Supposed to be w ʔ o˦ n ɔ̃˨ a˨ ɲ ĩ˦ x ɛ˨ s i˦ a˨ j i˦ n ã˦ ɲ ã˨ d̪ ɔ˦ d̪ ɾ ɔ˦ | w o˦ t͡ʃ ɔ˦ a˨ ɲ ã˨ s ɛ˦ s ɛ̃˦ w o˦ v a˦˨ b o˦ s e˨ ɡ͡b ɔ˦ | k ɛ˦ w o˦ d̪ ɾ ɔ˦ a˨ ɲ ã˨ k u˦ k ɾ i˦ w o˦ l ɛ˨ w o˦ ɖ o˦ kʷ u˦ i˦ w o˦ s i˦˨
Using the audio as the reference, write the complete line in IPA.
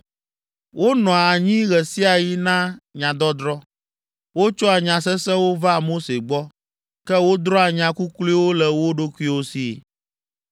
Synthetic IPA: w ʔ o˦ n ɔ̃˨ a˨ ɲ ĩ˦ ɣ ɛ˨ s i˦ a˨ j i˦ n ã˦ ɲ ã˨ d̪ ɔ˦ d̪ ɾ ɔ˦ | w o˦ t͡ʃ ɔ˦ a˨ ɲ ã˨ s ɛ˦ s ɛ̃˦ w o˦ v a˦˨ m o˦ s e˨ ɡ͡b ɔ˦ | k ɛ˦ w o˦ d̪ ɾ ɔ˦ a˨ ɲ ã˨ k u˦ k l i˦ w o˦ l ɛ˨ w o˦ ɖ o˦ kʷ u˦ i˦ w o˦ s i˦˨